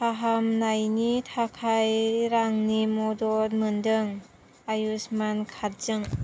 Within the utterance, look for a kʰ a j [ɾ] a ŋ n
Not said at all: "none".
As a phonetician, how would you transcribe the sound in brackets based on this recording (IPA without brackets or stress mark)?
ɾ